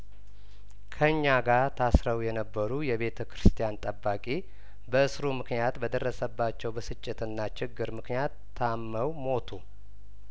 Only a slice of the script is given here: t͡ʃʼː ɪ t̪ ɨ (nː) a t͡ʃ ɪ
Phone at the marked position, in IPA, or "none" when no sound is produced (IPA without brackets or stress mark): nː